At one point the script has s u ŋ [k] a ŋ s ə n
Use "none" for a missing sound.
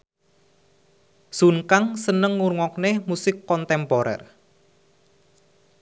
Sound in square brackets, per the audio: k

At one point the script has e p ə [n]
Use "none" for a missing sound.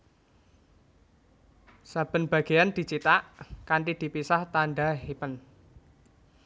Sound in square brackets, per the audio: n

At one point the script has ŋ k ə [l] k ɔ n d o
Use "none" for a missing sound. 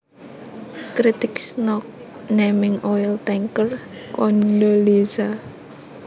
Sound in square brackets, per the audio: r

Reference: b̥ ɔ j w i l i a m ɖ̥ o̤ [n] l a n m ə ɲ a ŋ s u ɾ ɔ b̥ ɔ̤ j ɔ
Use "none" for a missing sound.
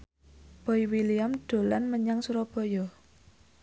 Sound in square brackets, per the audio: none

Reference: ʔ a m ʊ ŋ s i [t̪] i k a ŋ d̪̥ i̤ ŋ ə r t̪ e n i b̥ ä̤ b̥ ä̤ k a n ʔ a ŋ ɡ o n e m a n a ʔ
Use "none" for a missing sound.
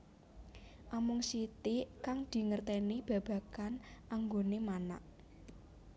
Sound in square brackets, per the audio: t̪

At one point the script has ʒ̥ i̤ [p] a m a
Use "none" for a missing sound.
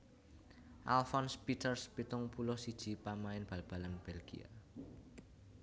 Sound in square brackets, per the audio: p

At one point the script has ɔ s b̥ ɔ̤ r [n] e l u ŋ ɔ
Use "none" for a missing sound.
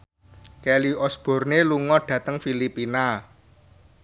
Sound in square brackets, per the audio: n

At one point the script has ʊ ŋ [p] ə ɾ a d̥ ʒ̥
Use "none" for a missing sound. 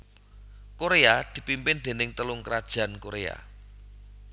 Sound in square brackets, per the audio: k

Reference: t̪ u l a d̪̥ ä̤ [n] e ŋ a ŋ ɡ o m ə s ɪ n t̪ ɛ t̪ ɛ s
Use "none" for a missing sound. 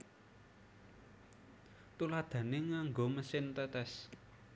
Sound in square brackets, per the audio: n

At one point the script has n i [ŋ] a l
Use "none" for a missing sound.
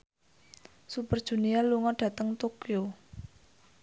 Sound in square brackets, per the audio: none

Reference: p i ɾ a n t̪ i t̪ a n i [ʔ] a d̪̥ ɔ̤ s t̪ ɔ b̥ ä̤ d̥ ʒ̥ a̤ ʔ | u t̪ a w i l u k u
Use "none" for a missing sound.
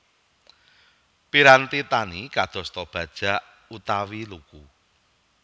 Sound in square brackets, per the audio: k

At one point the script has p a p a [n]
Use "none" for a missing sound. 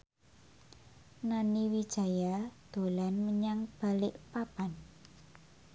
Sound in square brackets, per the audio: n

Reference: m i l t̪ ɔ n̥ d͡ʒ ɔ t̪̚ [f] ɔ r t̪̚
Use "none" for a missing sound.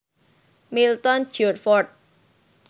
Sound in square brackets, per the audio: f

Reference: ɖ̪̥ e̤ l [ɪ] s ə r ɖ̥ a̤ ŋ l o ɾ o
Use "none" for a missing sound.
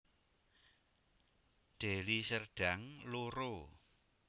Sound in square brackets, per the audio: i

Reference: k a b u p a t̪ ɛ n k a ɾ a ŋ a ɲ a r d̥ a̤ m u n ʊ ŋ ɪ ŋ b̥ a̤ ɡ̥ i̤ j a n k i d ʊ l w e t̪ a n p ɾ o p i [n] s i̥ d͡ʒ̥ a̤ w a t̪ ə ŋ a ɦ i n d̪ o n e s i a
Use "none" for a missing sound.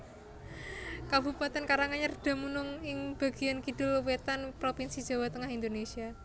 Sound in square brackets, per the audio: n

